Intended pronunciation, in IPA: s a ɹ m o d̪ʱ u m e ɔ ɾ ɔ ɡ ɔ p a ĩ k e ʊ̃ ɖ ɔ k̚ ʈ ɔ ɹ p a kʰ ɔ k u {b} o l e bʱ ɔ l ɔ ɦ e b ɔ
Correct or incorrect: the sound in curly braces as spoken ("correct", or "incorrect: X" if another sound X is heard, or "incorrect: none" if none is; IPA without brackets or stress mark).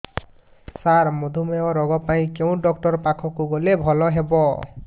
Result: incorrect: ɡ